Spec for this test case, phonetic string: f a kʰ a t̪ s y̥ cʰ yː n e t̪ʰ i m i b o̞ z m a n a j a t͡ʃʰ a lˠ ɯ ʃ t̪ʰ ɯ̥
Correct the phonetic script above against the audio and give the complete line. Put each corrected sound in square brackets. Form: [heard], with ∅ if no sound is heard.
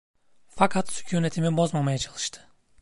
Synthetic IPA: f a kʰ a t̪ s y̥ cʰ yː n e t̪ʰ i m i b o̞ z m a [m] a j a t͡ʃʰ a lˠ ɯ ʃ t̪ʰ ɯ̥